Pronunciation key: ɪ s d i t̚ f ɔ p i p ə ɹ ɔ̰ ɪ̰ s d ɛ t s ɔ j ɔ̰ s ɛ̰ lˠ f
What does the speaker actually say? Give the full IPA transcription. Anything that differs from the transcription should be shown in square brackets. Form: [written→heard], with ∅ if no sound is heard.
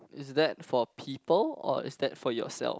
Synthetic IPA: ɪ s d [i→ɛ] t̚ f ɔ [p→pʰ] i p ə [ɹ→l] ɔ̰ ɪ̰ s d ɛ t [s→f] ɔ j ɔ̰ s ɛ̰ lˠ f